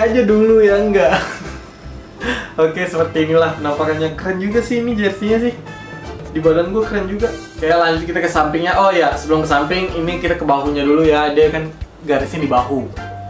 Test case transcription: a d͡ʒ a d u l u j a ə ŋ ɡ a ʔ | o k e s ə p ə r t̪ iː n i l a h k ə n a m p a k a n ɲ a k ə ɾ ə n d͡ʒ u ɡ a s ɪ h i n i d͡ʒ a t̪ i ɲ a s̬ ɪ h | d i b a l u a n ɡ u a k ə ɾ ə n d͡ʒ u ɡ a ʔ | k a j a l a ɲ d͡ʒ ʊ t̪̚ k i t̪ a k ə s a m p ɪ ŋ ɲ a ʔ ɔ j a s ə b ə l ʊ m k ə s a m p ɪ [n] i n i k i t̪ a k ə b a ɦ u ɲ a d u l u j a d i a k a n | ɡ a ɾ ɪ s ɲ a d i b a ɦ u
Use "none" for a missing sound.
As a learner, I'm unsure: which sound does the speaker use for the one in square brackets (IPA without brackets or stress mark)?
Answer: ŋ